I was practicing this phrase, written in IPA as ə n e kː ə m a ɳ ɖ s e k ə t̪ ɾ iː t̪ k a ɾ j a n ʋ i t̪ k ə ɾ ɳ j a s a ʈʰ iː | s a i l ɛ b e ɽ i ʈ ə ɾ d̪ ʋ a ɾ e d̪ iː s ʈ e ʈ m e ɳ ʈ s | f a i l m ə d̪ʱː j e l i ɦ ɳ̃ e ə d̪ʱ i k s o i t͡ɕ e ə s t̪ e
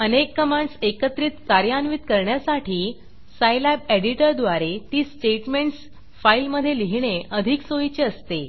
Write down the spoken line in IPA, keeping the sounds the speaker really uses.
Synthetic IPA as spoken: ə n e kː ə m a ɳ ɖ s e k ə t̪ ɾ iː t̪ k a ɾ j a n ʋ i t̪ k ə ɾ ɳ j a s a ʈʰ iː | s a j l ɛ b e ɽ i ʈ ə ɾ d̪ ʋ a ɾ e t̪ iː s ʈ e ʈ m e ɳ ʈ s | f a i l m ə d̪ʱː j e l i ɦ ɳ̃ e ə d̪ʱ i k s o i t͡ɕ e ə s t̪ e